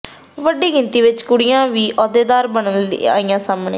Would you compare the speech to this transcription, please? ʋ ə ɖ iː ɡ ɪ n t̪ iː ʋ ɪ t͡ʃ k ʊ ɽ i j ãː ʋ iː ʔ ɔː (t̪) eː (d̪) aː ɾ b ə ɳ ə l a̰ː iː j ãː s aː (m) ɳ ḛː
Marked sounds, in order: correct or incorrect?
incorrect: d̪, correct, correct

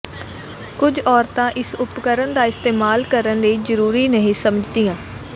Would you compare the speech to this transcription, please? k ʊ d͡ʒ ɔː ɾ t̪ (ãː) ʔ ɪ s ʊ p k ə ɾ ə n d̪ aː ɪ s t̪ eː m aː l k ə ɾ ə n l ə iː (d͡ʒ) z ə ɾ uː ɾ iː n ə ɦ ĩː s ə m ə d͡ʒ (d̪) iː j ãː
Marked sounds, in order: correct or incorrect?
correct, incorrect: none, correct

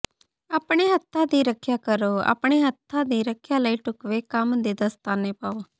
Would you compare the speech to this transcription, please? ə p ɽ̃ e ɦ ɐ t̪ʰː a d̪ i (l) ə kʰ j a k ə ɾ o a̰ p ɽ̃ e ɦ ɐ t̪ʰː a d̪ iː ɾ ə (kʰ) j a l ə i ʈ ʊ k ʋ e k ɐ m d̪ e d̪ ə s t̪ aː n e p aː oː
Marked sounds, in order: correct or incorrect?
incorrect: ɾ, correct

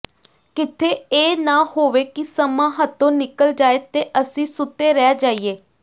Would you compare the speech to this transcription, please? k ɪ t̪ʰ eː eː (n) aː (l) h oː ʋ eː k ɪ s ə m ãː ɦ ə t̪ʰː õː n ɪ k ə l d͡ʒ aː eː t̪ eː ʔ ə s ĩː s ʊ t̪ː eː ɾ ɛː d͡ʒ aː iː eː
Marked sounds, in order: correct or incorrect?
correct, incorrect: none

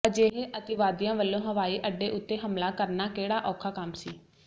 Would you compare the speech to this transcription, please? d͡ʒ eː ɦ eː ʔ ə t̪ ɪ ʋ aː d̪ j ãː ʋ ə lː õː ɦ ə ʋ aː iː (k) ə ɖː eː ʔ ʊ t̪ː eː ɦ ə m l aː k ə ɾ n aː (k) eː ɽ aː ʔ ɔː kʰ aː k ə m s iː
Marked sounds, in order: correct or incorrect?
incorrect: ʔ, correct

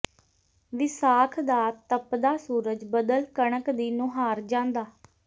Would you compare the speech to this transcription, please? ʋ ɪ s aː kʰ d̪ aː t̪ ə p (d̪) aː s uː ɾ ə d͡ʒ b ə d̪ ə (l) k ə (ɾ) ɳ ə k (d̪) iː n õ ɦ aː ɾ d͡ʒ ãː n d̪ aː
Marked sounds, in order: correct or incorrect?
correct, correct, incorrect: none, correct

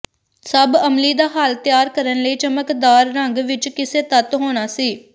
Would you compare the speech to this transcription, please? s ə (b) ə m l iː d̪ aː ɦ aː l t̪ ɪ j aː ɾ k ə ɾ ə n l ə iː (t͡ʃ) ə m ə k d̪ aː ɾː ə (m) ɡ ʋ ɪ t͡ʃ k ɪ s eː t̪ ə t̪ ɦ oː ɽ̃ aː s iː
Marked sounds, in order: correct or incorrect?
correct, correct, incorrect: ŋ

